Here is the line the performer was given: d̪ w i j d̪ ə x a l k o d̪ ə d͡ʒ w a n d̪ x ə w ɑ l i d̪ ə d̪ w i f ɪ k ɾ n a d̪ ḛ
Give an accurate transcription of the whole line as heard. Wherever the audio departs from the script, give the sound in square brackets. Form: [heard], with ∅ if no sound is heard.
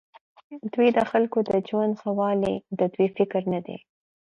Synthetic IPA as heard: d̪ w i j d̪ ə x a l k o d̪ ə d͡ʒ w a n d̪ x [a] w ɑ l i d̪ ə d̪ w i f ɪ k ɾ n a d̪ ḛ